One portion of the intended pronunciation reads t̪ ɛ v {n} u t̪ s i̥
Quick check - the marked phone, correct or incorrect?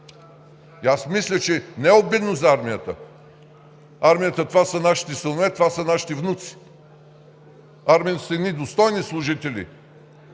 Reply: correct